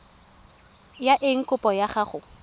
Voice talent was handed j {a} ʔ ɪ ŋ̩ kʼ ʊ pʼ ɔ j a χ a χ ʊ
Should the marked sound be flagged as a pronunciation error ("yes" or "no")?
no